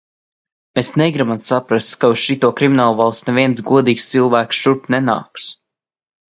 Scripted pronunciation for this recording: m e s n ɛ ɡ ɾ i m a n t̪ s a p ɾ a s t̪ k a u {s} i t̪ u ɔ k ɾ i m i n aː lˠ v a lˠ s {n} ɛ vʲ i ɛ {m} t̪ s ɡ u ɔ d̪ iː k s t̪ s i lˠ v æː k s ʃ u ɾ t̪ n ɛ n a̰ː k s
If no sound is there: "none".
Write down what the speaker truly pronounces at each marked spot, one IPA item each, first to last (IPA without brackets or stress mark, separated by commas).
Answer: ʃ, n, n